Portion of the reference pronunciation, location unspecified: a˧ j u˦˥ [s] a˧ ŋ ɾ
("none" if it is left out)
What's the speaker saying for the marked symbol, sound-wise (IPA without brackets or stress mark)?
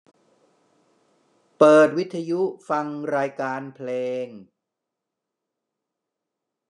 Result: f